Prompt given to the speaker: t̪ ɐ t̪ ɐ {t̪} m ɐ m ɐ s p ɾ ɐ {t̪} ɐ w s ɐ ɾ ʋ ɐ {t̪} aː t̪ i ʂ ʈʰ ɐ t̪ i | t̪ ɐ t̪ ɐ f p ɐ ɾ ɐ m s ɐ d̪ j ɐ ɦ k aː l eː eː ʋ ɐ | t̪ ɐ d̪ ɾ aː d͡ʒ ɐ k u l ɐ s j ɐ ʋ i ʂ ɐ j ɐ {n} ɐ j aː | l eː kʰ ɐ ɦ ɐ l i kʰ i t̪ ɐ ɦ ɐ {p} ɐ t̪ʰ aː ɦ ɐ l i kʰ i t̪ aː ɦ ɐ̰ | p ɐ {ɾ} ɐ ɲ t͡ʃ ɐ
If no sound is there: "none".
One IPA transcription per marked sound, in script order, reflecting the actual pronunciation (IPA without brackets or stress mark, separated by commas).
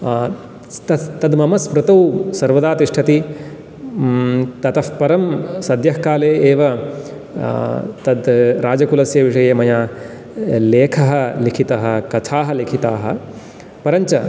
d̪, t̪, d̪, m, k, ɾ